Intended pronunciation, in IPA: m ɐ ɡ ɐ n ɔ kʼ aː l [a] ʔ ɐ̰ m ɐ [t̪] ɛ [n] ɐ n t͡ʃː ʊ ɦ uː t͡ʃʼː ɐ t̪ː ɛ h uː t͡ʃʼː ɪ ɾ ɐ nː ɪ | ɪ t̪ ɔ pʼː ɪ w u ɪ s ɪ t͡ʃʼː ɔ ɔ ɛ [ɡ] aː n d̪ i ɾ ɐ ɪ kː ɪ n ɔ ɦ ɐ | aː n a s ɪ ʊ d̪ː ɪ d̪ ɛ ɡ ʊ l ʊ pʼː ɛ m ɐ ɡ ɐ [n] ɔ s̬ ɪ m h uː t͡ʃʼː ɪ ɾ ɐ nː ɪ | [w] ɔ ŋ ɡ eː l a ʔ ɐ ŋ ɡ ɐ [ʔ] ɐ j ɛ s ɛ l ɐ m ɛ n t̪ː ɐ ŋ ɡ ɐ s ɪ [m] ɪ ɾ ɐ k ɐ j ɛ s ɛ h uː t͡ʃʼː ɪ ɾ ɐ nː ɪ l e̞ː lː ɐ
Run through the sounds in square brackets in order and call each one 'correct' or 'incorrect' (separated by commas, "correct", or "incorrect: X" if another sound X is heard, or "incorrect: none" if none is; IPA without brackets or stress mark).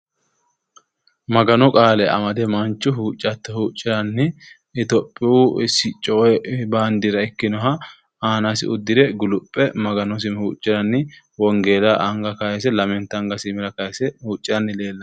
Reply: incorrect: ɛ, incorrect: d̪, incorrect: m, incorrect: b, correct, correct, incorrect: k, correct